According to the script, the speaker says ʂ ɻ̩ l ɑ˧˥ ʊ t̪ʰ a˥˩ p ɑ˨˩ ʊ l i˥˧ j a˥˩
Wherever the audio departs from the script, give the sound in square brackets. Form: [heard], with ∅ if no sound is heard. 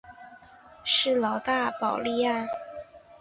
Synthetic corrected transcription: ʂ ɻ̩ l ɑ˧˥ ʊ [t̪] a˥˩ p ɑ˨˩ ʊ l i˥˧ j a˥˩